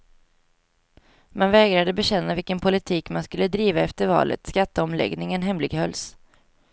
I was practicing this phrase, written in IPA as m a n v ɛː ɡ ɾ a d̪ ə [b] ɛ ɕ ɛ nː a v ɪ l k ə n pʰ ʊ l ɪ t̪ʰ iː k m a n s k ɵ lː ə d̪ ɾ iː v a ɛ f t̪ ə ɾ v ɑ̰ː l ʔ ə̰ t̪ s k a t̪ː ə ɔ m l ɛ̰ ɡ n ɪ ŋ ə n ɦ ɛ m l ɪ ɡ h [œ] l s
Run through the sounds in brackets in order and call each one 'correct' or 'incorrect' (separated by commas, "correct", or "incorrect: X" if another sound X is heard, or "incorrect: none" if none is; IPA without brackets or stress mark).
correct, correct